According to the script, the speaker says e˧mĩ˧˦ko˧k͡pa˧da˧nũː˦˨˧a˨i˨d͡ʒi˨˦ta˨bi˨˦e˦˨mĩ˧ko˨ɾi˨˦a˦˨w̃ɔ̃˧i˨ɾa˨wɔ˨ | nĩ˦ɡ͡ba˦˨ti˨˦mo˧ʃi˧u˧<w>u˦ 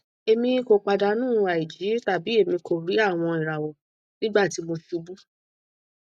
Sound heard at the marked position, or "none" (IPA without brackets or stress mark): b